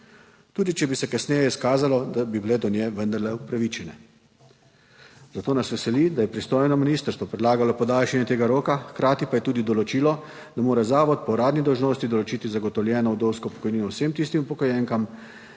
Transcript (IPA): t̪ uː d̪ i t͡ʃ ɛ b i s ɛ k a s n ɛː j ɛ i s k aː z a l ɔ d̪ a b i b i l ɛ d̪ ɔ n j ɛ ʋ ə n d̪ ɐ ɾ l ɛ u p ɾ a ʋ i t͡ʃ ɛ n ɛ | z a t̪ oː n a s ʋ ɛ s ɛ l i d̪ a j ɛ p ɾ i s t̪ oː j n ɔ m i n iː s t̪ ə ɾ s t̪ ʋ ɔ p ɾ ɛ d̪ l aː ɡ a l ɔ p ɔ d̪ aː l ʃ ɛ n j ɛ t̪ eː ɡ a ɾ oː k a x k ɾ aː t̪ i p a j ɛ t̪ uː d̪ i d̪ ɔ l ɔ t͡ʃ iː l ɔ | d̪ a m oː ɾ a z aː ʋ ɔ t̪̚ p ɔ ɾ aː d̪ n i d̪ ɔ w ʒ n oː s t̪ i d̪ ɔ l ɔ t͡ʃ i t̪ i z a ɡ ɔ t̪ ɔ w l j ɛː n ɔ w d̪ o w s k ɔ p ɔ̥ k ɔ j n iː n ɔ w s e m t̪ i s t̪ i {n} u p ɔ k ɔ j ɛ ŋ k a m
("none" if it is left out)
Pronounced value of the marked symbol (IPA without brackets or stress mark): m